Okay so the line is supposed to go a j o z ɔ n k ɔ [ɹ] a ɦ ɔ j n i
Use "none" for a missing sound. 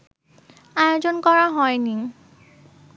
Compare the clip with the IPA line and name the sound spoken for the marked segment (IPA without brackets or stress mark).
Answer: ɹ